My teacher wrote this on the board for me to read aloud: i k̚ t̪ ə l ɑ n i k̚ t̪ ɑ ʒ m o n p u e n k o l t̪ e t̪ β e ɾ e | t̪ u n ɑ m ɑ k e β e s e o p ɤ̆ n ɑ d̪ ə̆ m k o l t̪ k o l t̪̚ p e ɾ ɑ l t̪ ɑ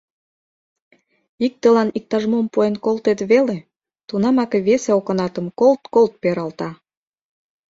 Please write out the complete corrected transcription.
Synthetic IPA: i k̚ t̪ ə l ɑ n i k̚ t̪ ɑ ʒ m o m p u e n k o l t̪ e t̪ β e l e | t̪ u n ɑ m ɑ k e β e s e o k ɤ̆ n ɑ t̪ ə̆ m k o l t̪ k o l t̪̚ p e ɾ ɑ l t̪ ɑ